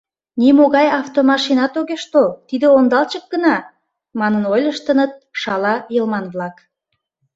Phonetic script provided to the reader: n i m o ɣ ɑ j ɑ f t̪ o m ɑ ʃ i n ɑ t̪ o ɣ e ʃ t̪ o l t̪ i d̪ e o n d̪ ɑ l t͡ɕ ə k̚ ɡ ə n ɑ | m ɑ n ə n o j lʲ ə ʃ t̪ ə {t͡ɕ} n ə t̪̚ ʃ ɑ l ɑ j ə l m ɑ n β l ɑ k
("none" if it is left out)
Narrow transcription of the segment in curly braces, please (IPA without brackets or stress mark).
none